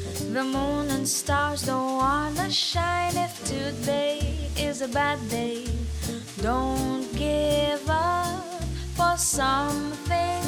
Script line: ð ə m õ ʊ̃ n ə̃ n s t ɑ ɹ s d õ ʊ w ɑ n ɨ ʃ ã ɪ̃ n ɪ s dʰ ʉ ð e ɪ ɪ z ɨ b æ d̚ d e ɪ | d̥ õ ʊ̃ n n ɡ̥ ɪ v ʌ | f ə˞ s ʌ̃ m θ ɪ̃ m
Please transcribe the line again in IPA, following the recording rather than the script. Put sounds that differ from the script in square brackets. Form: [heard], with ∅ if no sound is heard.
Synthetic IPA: ð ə m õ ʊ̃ n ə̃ n s t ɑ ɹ [z] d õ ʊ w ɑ n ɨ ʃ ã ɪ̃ n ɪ [f] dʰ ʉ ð e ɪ ɪ z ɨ b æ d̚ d e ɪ | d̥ õ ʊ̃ n n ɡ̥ ɪ v ʌ | f ə˞ s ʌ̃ m θ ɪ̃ [ŋ]